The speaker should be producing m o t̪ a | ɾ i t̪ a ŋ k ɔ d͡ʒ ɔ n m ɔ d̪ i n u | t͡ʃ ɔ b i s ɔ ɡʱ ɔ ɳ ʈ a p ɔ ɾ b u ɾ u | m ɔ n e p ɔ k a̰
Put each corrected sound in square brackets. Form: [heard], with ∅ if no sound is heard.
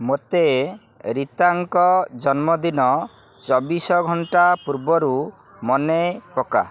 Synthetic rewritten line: m o t̪ [e] | ɾ i t̪ a ŋ k ɔ d͡ʒ ɔ n m ɔ d̪ i n [ɔ] | t͡ʃ ɔ b i s ɔ ɡʱ ɔ ɳ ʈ a p [u] ɾ b [ɔ] ɾ u | m ɔ n e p ɔ k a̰